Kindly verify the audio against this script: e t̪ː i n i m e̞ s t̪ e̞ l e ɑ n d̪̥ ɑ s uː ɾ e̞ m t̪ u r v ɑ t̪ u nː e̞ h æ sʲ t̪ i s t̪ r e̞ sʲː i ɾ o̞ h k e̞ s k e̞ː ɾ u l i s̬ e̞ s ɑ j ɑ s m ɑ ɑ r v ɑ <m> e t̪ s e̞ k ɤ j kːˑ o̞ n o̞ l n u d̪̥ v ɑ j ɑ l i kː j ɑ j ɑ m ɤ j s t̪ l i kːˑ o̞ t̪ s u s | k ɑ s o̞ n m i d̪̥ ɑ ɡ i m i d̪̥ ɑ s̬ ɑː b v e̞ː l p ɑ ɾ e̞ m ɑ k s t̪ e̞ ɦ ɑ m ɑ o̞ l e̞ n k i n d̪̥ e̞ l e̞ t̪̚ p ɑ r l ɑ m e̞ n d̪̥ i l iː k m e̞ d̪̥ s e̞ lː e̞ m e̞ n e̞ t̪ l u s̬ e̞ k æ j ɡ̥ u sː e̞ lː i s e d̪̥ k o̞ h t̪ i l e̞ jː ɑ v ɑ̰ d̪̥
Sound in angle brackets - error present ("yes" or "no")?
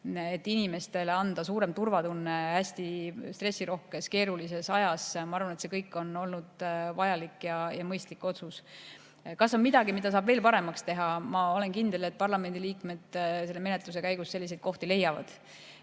yes